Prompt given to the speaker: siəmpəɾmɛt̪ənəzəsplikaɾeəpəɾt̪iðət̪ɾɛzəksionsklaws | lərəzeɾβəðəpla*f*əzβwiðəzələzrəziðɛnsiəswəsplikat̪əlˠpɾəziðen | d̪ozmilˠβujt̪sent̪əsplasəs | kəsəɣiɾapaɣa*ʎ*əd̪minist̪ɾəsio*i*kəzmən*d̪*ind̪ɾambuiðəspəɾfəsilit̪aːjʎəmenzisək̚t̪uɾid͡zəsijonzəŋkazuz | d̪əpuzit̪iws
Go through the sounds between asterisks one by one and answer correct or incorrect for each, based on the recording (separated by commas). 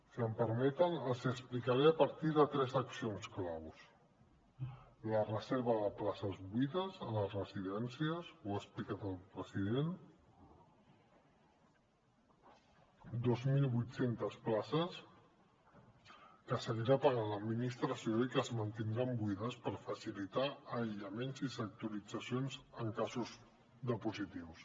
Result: incorrect, incorrect, correct, incorrect